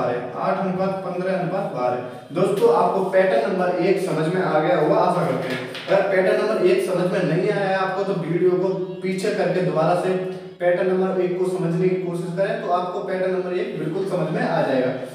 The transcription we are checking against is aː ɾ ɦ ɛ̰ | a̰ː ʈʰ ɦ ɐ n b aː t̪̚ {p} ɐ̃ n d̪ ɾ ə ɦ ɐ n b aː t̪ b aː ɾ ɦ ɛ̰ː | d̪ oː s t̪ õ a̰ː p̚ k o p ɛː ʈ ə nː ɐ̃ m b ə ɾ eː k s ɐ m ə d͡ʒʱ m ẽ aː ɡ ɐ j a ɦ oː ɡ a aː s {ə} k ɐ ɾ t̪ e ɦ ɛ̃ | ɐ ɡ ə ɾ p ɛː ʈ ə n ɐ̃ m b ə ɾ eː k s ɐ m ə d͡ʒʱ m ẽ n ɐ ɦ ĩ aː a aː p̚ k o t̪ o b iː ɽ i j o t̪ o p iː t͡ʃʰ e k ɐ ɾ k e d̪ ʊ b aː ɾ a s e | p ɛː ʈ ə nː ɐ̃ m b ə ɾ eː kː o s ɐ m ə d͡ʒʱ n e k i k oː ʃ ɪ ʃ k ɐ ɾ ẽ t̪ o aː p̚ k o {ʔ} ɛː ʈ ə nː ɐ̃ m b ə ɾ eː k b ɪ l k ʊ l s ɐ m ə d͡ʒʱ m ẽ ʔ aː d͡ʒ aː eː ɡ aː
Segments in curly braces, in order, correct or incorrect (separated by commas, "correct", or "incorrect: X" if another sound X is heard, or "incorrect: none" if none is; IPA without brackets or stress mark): correct, incorrect: a, incorrect: p